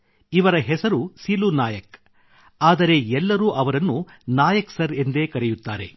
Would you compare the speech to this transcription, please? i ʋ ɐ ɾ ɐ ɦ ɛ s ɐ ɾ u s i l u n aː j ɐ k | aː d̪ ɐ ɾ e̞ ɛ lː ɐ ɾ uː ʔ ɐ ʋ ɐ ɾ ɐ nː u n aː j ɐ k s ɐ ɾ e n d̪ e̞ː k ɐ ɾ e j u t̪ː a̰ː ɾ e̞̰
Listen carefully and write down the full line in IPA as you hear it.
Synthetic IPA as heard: i ʋ ɐ ɾ ɐ ɦ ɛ s ɐ ɾ u s i l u n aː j ɐ k | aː d̪ ɐ ɾ e̞ ɛ lː ɐ ɾ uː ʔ ɐ ʋ ɐ ɾ ɐ nː u n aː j ɐ k s ɐ ɾ e n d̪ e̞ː k ɐ ɾ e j u t̪ː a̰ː ɾ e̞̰